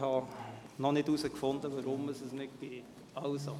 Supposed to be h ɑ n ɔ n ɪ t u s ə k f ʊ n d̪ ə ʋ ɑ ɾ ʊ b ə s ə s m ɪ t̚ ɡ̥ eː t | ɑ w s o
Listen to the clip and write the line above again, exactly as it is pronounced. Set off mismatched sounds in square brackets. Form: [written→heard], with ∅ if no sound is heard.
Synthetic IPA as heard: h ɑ n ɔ n ɪ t u s ə k f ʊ n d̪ ə ʋ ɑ ɾ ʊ [b→m] ə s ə s [m→n] ɪ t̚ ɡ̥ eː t | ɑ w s o